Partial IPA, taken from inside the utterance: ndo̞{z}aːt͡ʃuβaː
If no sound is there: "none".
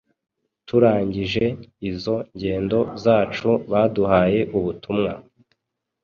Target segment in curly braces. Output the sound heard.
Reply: z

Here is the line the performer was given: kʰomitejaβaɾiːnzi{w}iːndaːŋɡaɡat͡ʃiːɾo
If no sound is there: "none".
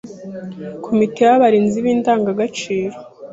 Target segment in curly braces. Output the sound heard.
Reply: β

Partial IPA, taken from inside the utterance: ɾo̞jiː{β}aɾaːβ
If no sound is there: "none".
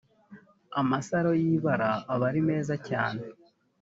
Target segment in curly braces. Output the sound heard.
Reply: β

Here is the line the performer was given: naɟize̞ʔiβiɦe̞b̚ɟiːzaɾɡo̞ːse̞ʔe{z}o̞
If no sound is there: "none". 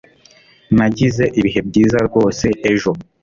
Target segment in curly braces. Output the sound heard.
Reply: ʒ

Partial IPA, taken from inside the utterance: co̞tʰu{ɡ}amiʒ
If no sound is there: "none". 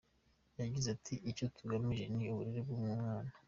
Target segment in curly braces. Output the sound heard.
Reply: ɡ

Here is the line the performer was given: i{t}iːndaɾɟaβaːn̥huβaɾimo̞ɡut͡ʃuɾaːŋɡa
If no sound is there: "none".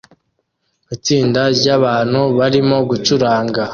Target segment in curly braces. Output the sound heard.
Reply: t͡s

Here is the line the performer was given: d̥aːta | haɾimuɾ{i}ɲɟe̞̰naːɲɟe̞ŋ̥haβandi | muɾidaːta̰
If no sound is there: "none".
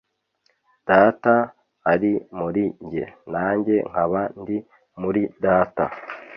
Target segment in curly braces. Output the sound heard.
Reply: i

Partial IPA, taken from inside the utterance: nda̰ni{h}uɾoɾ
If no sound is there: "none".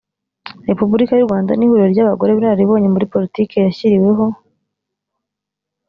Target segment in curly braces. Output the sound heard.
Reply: h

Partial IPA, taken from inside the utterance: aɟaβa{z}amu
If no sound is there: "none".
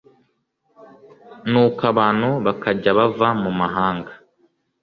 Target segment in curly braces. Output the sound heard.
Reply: v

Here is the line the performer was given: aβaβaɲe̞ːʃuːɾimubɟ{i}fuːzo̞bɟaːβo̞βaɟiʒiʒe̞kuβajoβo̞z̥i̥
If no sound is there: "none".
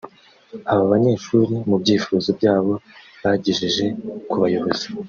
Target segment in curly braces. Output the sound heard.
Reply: iː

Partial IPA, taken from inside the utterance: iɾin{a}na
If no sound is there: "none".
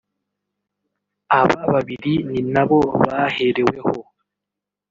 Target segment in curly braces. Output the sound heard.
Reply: i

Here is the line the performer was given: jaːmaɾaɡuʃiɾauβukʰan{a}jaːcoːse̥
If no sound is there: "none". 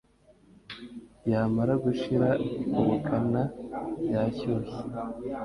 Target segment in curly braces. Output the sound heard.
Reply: a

